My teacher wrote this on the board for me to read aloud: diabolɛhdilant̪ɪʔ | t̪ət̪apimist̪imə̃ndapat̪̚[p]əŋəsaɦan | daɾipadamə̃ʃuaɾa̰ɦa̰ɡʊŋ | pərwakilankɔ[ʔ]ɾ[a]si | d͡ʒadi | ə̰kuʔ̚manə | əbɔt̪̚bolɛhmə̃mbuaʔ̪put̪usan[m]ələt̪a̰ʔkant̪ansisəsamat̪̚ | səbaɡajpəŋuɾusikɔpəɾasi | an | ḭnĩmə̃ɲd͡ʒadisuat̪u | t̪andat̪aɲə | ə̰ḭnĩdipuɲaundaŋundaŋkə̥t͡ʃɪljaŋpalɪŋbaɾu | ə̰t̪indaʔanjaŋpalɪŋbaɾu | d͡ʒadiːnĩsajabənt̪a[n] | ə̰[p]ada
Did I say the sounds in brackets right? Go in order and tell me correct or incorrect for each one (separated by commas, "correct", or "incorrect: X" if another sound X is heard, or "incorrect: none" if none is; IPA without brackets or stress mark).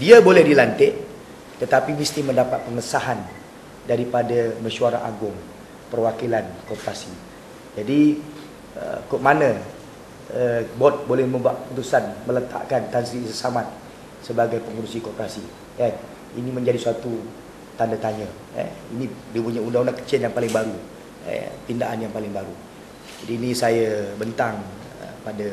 correct, incorrect: p, correct, correct, incorrect: ŋ, correct